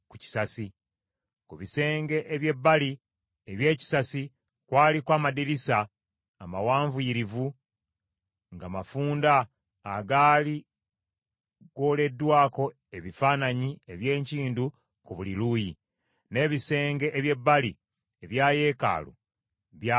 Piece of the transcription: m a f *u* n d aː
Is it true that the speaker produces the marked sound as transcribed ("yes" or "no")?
no